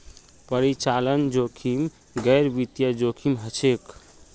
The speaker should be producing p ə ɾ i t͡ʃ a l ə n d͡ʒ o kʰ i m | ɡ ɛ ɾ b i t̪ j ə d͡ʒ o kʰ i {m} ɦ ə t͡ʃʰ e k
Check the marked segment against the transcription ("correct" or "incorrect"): correct